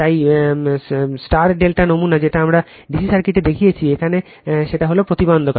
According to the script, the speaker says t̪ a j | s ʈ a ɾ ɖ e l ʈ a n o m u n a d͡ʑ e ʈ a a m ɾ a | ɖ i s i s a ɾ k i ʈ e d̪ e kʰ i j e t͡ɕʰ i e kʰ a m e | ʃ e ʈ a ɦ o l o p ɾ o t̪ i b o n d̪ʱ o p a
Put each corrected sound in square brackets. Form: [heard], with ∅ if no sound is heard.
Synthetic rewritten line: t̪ a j | s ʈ a ɾ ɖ e l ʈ a n o m u n a d͡ʑ e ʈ a a m ɾ a | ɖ i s i s a ɾ k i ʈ e d̪ e kʰ i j e t͡ɕʰ i e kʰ a [n] e | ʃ e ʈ a ɦ o l o p ɾ o t̪ i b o n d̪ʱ o [k] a

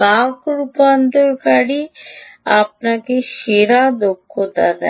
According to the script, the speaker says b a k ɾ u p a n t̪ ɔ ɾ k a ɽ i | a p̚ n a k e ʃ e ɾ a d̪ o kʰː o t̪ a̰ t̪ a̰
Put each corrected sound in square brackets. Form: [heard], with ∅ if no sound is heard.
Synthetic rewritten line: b a k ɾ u p a n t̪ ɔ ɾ k a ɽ i | a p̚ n a k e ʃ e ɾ a d̪ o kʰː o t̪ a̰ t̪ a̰

